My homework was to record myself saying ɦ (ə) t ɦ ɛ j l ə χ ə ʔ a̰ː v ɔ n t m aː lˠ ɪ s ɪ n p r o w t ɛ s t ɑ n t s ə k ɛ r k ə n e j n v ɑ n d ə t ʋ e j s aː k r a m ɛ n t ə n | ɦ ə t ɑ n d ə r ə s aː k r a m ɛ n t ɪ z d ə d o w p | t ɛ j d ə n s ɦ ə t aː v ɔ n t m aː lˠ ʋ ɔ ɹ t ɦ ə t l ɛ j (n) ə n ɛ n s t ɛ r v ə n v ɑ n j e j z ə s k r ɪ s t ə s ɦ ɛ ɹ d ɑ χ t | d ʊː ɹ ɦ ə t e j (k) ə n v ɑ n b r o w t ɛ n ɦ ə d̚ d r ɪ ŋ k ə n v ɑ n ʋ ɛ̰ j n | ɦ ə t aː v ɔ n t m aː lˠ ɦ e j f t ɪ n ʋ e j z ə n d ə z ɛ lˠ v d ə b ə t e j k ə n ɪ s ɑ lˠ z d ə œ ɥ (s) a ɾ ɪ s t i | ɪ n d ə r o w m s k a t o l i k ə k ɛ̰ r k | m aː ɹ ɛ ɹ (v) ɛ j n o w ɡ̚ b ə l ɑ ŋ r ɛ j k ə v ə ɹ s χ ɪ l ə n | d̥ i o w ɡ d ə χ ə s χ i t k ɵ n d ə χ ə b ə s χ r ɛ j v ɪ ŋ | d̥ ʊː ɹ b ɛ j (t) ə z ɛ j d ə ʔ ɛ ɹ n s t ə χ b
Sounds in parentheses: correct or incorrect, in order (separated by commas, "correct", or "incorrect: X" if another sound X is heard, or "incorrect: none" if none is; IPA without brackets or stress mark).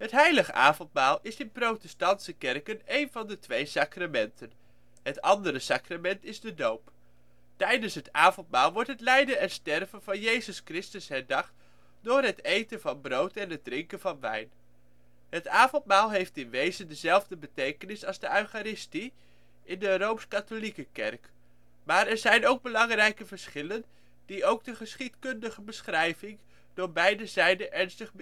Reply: correct, incorrect: d, incorrect: t, incorrect: χ, incorrect: z, incorrect: d